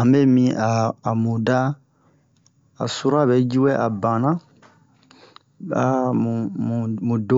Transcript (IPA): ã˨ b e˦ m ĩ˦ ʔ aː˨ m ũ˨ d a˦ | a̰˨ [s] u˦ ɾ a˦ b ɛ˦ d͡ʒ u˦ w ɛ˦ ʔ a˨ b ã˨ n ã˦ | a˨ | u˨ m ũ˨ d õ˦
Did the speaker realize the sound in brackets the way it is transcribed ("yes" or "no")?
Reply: yes